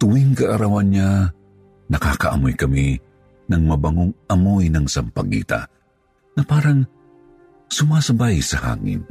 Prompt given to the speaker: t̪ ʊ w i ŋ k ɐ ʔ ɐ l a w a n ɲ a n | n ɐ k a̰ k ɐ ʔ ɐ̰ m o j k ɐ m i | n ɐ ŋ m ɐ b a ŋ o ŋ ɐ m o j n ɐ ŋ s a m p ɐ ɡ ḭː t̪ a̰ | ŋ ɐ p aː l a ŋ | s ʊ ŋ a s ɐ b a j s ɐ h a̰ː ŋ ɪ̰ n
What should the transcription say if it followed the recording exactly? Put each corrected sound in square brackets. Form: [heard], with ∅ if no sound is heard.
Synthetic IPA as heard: t̪ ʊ w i ŋ k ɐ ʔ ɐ [ɾ] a w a n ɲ a [∅] | n ɐ k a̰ k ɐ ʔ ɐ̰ m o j k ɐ m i | n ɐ ŋ m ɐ b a ŋ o ŋ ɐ m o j n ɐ ŋ s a m p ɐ ɡ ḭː t̪ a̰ | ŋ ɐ p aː [ɾ] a ŋ | s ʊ [m] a s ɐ b a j s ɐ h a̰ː ŋ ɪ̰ n